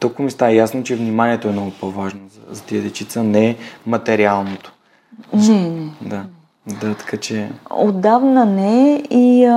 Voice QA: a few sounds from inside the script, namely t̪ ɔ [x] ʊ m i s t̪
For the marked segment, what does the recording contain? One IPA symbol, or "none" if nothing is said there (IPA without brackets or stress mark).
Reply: k